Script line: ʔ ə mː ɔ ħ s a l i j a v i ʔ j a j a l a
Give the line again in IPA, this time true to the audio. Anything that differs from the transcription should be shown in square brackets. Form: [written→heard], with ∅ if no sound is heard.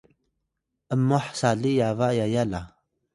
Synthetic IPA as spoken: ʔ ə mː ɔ ħ s a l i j a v [i→a] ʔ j a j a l a